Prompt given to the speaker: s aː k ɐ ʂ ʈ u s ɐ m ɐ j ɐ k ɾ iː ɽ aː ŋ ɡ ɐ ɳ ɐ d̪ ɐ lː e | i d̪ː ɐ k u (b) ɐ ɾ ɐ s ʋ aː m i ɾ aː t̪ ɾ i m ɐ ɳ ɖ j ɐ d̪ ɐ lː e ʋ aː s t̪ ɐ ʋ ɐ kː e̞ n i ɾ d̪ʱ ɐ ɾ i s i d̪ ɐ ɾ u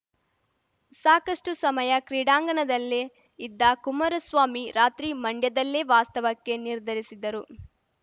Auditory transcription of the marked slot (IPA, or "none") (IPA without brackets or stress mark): m